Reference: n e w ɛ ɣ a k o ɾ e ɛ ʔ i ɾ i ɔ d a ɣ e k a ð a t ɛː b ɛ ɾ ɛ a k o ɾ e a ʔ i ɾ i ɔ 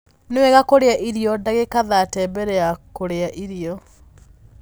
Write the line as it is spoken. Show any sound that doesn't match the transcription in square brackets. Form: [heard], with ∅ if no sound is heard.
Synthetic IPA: n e w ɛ ɣ a k o ɾ e [a] ʔ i ɾ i ɔ d a ɣ e k a ð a t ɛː b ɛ ɾ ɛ a k o ɾ e a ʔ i ɾ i ɔ

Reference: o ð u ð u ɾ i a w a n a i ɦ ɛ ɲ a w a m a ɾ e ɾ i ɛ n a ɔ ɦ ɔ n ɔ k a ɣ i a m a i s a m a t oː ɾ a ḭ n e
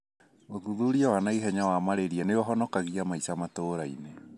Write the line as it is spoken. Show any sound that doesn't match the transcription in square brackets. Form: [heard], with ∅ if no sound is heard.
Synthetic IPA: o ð u ð u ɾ i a w a n a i ɦ ɛ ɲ a w a m a ɾ e ɾ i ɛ n [e] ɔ ɦ ɔ n ɔ k a ɣ i a m a i s a m a t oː ɾ a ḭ n e

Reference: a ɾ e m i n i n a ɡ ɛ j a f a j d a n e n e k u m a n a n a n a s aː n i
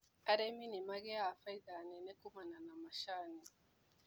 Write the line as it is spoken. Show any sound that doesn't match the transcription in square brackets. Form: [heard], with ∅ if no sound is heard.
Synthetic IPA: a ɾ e m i n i [m] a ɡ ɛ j a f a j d a n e n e k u m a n a n a [m] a [ʃ] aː n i

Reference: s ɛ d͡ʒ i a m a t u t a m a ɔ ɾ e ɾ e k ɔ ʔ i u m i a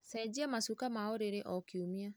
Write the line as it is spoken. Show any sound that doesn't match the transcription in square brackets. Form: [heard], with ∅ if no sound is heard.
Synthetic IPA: s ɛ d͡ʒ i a m a [s] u [k] a m a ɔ ɾ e ɾ e [ʔ] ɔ [k] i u m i a

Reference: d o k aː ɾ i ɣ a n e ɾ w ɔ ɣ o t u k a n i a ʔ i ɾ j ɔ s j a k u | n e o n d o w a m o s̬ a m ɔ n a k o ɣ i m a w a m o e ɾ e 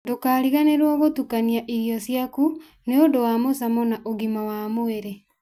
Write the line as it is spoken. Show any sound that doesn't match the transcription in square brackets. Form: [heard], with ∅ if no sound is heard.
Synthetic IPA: d o k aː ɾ i ɣ a n e ɾ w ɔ ɣ o t u k a n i a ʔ i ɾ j ɔ s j a k u | n e o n d o w a m o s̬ a m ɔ n a [ʔ] o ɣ i m a w a m o e ɾ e

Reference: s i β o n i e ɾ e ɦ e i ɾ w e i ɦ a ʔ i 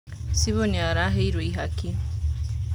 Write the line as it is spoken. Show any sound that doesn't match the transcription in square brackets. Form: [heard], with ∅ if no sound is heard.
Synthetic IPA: s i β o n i [a] ɾ [a] ɦ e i ɾ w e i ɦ a [k] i

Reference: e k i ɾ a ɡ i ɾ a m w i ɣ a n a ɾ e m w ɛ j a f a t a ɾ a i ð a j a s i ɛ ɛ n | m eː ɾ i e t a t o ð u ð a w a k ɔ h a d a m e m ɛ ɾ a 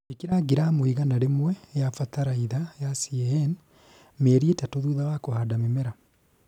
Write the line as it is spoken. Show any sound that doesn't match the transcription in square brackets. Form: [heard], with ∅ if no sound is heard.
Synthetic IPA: e k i ɾ a ɡ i ɾ a m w i ɣ a n a ɾ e m w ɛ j a f a t a ɾ a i ð a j a s i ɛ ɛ n | m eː ɾ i e t a t o ð u ð a w a k [o] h a d a m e m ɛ ɾ a

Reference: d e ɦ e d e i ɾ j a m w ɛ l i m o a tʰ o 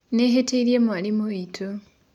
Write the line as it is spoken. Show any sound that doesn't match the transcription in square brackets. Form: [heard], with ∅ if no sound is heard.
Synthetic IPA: [n] e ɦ e [t] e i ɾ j [e] m w [a] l i m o [i] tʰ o

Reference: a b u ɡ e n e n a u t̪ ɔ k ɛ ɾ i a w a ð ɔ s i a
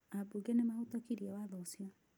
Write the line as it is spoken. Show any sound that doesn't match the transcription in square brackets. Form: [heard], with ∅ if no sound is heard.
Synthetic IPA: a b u ɡ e n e [m] a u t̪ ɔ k [i] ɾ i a w a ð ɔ s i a

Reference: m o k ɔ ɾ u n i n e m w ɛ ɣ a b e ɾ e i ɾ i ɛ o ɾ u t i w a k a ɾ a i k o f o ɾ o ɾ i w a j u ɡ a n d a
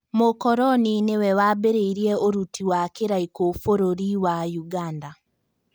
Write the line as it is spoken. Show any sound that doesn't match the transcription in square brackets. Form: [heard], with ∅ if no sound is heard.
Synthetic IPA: m o k ɔ ɾ [ɔ] n i n e [∅] w ɛ [w] a b e ɾ e i ɾ i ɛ o ɾ u t i w a k [e] ɾ a i k o f o ɾ o ɾ i w a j u ɡ a n d a

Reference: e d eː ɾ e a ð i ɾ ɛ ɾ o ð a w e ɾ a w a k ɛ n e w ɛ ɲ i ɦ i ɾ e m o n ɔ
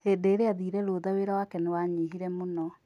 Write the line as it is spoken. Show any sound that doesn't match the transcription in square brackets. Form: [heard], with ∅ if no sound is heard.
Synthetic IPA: e d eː ɾ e a ð i ɾ ɛ ɾ o ð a w e ɾ a w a k ɛ n e w [a] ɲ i ɦ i ɾ [ɛ] m o n ɔ

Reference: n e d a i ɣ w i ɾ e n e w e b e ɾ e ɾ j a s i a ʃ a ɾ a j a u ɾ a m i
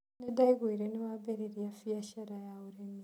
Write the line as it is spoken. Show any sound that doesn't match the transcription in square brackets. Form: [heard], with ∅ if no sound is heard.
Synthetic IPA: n e d a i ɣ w i ɾ e n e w [a] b e ɾ e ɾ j a [f] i a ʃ a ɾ a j a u ɾ [e] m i

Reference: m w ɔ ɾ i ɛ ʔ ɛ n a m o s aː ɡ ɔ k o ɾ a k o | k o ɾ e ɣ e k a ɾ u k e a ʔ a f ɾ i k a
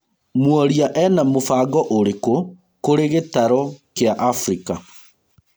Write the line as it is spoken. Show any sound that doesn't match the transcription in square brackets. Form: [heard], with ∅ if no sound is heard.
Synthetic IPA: m w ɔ ɾ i [a] ʔ ɛ n a m o [f] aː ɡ ɔ [ʔ] o ɾ [e] k o | k o ɾ e ɣ e [t] a ɾ [ɔ] k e a ʔ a f ɾ i k a

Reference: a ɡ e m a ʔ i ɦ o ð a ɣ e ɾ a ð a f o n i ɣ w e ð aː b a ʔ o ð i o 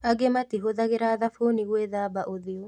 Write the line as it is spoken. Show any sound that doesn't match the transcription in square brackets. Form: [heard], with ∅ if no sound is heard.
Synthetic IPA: a ɡ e m a [t] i ɦ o ð a ɣ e ɾ a ð a f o n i ɣ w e ð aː b a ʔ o ð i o

